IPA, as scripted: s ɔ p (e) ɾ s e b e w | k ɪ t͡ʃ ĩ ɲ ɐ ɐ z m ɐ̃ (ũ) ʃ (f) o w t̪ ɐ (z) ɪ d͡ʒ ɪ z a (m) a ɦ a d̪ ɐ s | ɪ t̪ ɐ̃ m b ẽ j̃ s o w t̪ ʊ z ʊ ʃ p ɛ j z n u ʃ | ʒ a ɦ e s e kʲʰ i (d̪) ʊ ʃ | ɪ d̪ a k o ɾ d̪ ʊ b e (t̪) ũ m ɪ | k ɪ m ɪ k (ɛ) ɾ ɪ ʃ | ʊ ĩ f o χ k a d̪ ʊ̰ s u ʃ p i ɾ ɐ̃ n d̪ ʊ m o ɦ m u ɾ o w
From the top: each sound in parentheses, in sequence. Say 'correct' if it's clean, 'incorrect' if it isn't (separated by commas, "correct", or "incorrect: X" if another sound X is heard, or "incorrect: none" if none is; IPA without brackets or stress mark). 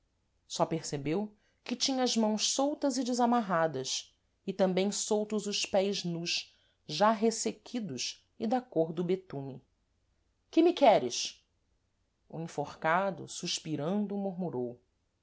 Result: correct, incorrect: w̃, incorrect: s, correct, correct, correct, correct, correct